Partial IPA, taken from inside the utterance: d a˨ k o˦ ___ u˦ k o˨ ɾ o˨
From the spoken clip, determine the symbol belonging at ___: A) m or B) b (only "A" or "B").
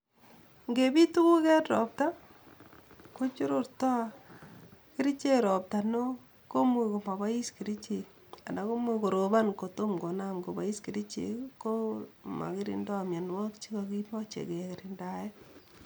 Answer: A